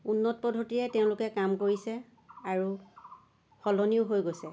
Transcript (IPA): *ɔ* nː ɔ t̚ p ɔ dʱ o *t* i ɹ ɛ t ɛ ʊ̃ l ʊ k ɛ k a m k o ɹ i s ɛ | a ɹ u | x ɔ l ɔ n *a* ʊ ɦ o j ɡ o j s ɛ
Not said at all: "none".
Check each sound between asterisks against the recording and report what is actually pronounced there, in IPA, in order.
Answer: u, t, i

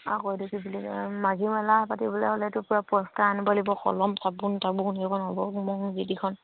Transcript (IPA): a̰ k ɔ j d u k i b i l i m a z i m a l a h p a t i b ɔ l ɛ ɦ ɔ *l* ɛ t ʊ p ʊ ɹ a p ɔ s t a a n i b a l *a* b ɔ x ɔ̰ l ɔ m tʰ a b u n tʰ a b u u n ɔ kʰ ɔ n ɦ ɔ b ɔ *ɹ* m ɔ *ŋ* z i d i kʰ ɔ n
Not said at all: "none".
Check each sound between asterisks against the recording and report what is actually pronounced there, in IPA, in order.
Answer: l, i, none, ŋ

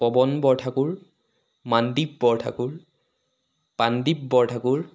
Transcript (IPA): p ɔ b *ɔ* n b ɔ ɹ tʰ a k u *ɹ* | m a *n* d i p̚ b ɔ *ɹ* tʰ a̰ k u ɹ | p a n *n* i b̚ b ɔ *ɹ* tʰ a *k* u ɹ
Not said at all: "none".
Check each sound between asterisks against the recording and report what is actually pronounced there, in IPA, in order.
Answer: ɔ, ɹ, n, ɹ, d, ɹ, k

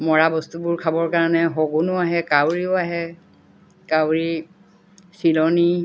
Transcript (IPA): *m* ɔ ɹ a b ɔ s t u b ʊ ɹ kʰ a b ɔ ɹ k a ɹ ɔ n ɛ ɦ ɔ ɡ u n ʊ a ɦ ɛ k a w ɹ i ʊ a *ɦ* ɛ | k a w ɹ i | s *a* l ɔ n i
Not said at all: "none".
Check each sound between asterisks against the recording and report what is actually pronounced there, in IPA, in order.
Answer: m, ɦ, i

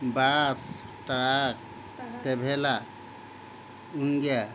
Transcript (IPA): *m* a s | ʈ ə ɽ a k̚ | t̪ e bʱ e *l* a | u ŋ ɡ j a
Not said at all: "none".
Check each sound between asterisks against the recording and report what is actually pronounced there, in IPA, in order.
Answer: b, l

